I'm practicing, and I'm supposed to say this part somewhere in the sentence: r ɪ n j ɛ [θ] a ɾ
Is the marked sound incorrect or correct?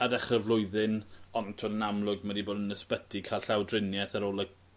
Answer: correct